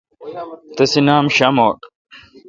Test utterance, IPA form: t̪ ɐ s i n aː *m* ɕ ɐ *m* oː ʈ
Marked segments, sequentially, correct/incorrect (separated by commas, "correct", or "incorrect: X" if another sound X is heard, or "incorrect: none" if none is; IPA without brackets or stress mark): correct, correct